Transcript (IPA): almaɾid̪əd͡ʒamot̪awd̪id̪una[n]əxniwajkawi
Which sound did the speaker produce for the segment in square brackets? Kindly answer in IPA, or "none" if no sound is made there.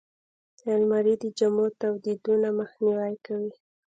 m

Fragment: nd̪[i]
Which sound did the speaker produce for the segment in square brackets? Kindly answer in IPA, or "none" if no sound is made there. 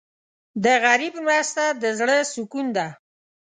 a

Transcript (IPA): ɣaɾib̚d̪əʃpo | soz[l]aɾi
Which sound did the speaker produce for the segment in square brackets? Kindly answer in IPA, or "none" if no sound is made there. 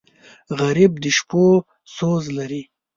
l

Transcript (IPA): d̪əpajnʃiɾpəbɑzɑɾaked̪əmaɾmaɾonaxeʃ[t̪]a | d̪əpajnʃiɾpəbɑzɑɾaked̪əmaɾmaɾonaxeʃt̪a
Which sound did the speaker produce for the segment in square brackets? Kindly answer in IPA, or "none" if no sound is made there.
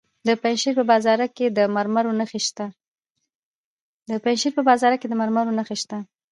t̪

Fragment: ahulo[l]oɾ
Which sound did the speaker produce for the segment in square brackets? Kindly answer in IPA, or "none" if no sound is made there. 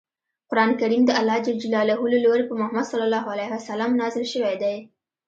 l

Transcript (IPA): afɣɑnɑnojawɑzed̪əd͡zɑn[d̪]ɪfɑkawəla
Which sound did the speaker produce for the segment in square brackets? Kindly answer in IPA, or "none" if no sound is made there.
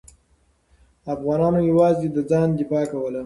d̪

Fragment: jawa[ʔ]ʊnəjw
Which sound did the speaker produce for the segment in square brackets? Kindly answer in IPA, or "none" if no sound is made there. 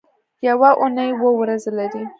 ʔ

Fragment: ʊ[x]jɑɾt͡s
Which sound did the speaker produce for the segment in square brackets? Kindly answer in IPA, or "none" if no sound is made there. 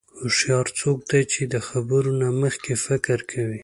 ʃ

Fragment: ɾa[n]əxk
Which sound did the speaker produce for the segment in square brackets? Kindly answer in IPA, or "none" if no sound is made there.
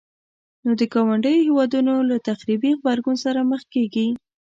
m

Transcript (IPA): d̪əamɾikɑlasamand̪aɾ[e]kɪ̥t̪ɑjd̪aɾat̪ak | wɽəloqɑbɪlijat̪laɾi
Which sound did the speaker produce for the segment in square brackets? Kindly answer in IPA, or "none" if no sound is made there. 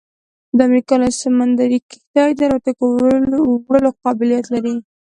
i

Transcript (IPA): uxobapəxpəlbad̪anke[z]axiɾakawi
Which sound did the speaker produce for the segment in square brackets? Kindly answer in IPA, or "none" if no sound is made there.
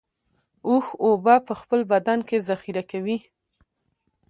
z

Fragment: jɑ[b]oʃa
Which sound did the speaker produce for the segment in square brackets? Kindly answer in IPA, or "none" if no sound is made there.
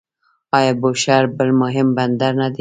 b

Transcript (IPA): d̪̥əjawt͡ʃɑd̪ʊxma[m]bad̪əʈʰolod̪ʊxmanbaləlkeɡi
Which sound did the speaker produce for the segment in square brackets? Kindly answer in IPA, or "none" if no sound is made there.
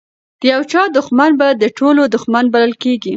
n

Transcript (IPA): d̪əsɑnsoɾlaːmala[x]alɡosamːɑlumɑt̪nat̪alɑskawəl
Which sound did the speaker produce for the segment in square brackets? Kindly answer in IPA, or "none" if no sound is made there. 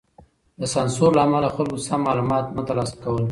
x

